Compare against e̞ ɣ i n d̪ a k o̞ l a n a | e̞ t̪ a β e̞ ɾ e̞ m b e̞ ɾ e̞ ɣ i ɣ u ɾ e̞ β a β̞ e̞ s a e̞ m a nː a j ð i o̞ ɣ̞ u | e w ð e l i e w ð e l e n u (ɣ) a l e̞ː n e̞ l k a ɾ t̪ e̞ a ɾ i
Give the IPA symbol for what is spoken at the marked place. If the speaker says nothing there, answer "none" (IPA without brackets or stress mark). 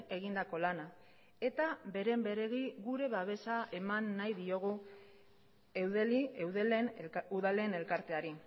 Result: ð